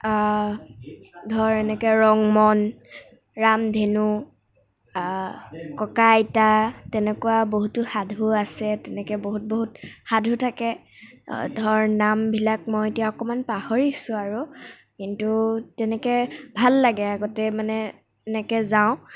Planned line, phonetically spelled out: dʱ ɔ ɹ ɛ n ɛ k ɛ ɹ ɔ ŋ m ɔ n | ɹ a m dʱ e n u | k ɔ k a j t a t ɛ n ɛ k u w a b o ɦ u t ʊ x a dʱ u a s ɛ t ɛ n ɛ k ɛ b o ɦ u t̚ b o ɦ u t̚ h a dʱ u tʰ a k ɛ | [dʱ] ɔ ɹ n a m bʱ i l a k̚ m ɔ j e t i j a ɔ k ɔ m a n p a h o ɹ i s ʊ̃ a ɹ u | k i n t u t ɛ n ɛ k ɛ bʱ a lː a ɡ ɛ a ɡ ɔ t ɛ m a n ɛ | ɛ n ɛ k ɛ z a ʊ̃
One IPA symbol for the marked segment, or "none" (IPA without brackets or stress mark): dʱ